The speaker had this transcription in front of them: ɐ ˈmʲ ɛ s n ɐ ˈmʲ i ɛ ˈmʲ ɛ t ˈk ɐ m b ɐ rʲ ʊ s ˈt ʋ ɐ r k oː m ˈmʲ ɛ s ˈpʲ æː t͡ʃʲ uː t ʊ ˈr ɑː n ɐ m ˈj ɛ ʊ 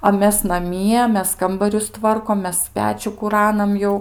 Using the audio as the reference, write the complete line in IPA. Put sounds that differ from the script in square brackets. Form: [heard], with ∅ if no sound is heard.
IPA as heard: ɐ ˈmʲ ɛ s n ɐ ˈmʲ i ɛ ˈmʲ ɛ [s] ˈk ɐ m b ɐ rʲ ʊ s ˈt ʋ ɐ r k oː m ˈmʲ ɛ s ˈpʲ æː t͡ʃʲ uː [k] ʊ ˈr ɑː n ɐ m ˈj ɛ ʊ